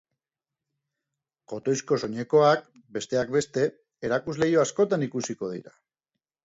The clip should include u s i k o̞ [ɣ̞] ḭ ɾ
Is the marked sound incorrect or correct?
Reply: incorrect